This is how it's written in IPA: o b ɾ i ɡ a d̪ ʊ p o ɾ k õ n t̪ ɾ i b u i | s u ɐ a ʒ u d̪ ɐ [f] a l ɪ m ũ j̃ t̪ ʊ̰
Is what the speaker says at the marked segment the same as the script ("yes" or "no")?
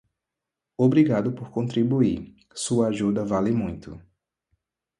no